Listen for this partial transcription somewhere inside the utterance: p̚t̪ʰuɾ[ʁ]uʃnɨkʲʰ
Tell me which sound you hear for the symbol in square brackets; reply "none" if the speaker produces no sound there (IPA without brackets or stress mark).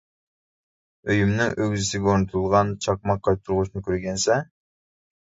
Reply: ʁ